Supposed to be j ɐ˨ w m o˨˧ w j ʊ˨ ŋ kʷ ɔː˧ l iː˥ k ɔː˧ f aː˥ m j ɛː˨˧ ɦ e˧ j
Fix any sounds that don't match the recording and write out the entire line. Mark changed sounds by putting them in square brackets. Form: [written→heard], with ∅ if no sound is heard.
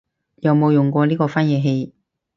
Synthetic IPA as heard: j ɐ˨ w m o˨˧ w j ʊ˨ ŋ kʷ ɔː˧ l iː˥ k ɔː˧ f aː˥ [m→n] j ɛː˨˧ ɦ e˧ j